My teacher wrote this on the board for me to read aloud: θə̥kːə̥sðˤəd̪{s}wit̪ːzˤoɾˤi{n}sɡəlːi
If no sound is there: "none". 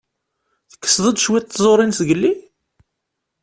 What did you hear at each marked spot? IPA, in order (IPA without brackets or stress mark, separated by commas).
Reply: ʃ, n